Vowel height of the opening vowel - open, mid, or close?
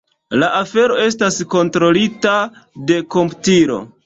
open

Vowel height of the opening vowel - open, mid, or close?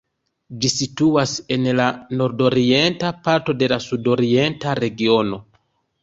close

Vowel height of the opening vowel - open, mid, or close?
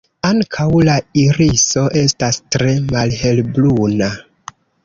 open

